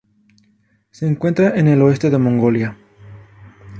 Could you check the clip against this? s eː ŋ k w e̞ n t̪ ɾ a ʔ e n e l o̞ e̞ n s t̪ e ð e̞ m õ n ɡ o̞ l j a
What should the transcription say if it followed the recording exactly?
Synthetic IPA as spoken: s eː ŋ k w e̞ n t̪ ɾ a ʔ e n e l o̞ e̞ s t̪ e ð e̞ m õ ŋ ɡ o̞ l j a